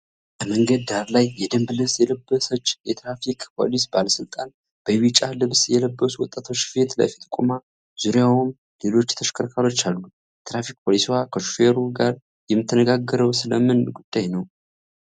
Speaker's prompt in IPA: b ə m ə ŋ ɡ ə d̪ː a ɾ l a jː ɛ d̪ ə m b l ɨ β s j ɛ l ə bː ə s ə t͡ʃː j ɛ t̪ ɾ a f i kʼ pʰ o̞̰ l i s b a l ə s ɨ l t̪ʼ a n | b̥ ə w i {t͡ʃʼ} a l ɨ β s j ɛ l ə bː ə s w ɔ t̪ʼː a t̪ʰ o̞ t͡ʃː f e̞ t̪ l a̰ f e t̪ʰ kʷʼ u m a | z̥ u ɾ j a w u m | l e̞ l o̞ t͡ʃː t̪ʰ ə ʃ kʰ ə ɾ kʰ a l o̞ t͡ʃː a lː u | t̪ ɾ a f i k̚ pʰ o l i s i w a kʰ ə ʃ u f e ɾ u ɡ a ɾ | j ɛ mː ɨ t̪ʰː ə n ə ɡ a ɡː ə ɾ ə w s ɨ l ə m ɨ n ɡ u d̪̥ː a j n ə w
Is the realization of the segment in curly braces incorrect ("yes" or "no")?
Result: no